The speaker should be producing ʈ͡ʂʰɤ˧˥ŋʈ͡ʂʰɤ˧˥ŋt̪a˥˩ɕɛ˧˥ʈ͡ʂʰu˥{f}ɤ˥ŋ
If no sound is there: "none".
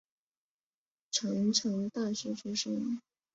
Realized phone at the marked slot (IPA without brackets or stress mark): ʂ